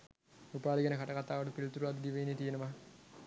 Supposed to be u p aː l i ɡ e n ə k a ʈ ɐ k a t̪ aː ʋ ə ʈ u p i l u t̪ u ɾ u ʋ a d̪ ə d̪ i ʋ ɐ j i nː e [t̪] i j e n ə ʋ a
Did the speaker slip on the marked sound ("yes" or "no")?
no